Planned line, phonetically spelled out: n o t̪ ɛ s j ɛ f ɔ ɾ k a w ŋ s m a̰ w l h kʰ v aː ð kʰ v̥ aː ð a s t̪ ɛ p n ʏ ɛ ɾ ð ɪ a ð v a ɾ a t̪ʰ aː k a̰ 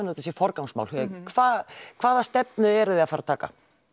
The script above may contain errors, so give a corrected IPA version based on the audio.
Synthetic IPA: n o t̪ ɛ s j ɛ f ɔ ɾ k a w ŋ s m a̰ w l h kʰ v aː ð kʰ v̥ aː ð a s t̪ ɛ p n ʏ ɛ ɾ ð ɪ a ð f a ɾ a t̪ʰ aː k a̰

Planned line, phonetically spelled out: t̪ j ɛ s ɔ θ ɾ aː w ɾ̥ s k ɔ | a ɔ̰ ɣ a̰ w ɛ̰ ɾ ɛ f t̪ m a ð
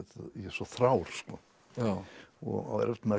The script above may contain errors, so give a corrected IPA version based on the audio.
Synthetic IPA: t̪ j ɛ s ɔ θ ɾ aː w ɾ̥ s k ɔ | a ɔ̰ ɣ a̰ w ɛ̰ ɾ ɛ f t̪ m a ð

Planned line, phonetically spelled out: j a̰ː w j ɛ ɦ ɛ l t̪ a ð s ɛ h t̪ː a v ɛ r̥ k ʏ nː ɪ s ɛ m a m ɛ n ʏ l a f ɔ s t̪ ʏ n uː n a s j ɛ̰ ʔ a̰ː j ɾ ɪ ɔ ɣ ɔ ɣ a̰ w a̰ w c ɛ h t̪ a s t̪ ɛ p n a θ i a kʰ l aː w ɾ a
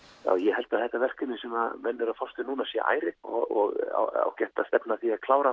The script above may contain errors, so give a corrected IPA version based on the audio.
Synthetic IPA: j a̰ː w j ɛ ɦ ɛ l t̪ a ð θ ɛ h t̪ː a v ɛ r̥ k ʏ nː ɪ s ɛ m a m ɛ nː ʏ ɾ a f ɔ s t̪ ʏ n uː n a s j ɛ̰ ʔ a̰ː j ɾ ɪ ɔ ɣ ɔ ɣ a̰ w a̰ w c ɛ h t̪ a s t̪ ɛ p n a θ i a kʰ l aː w ɾ a

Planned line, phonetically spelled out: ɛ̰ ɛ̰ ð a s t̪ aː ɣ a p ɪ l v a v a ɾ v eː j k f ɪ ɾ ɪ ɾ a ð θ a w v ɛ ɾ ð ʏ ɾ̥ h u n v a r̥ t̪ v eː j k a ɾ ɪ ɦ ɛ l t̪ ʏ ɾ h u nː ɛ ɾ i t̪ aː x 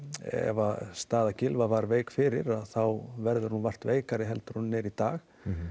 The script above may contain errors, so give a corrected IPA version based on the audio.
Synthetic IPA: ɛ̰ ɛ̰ v a s t̪ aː ð a c ɪ l v a v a ɾ v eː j k f ɪ ɾ ɪ ɾ a ð θ a w v ɛ ɾ ð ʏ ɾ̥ h u n v a r̥ t̪ v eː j k a ɾ ɪ ɦ ɛ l t̪ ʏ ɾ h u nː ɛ ɾ i t̪ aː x

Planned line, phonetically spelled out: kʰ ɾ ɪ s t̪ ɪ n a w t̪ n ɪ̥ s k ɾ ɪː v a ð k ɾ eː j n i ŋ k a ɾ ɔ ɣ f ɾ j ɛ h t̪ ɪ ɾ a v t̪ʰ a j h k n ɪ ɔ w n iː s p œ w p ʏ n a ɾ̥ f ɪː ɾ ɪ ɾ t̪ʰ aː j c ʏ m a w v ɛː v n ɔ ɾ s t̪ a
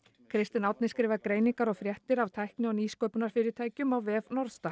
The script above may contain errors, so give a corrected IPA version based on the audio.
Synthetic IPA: kʰ ɾ ɪ s t̪ ɪ n a w t̪ n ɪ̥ s k ɾ ɪː v a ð k ɾ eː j n i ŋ k a ɾ ɔ ɣ f ɾ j ɛ h t̪ ɪ ɾ a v t̪ʰ a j h k n ɪ ɔ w n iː s k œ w p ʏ n a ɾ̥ f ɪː ɾ ɪ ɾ t̪ʰ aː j c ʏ m a w v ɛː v n ɔ ɾ s t̪ a

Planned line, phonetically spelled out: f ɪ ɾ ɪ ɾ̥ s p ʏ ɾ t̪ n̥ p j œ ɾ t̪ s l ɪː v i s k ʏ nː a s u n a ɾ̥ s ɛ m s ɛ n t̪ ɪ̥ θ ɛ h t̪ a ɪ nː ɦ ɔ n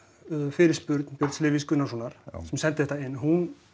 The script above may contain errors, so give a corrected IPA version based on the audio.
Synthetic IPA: f ɪ ɾ ɪ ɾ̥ s p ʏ ɾ t̪ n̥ p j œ ɾ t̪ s l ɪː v i s k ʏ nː a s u n a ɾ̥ s ɛ m s ɛ n t̪ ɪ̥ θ ɛ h t̪ a ɪ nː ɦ u n

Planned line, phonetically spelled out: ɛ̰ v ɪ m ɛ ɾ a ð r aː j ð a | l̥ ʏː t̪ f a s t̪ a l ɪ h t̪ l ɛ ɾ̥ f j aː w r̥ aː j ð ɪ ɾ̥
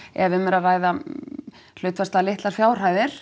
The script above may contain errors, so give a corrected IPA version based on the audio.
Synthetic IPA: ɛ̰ v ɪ m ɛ ɾ a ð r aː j ð a | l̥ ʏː t̪ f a s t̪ a l ɪ h t̪ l a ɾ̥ f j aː w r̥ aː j ð ɪ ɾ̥

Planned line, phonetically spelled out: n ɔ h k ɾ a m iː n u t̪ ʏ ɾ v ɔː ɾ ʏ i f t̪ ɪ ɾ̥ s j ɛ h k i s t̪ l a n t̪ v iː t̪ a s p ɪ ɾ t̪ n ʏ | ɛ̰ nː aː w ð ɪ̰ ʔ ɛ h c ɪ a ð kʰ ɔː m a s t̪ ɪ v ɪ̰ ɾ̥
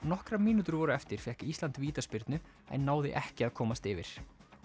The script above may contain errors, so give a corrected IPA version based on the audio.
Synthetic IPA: n ɔ h k ɾ a m iː n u t̪ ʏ ɾ v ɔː ɾ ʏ ɛ f t̪ ɪ ɾ̥ f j ɛ h k i s t̪ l a n t̪ v iː t̪ a s p ɪ ɾ t̪ n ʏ | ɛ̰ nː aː w ð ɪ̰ ʔ ɛ h c ɪ a ð kʰ ɔː m a s t̪ ɪ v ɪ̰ ɾ̥

